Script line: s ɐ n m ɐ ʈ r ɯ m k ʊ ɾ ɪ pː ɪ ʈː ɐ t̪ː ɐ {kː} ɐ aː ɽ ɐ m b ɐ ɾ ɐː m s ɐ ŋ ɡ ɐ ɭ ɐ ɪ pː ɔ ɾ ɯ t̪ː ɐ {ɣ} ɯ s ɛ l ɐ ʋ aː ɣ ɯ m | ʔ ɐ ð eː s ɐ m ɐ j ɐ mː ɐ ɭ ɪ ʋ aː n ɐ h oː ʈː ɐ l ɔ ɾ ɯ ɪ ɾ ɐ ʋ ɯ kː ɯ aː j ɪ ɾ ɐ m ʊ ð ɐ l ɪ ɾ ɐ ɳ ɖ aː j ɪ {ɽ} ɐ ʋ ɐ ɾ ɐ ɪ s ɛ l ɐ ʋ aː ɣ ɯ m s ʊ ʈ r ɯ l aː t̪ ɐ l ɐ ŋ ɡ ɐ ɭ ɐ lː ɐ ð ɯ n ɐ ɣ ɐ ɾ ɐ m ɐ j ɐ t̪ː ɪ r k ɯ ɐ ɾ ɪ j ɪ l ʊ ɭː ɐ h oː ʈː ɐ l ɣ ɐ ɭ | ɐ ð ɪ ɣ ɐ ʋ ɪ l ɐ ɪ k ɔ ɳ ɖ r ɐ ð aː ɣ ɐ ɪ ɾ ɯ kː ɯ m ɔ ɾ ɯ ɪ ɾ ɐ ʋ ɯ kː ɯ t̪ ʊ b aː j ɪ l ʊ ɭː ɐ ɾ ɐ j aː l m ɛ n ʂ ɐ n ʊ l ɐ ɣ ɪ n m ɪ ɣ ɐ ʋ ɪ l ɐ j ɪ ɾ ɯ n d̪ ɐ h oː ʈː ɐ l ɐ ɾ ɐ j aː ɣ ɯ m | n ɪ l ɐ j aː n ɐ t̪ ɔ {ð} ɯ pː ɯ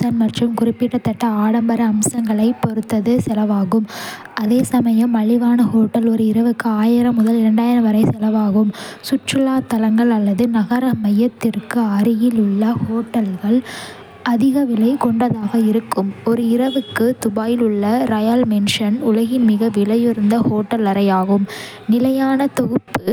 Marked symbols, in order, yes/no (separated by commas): no, no, no, no